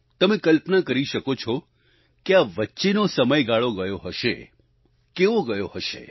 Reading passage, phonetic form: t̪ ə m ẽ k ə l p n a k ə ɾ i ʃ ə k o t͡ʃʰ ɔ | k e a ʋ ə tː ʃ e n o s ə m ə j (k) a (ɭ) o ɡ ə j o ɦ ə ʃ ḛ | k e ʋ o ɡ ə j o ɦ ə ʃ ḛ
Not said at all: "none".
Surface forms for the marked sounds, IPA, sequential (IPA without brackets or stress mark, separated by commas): ɡ, ɭ